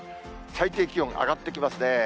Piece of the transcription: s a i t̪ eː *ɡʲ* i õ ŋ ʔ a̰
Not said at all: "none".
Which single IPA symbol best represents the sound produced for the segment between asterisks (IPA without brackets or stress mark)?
kʲ